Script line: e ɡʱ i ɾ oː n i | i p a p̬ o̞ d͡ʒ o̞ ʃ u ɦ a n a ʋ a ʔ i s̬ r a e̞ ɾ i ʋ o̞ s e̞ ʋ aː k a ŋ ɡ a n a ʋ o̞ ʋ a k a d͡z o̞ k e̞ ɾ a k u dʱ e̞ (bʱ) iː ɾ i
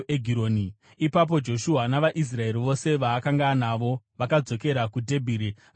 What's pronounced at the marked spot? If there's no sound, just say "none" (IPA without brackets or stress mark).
bʱ